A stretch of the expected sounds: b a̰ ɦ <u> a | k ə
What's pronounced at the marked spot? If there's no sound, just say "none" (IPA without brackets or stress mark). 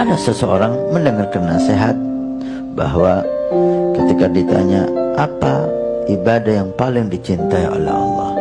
w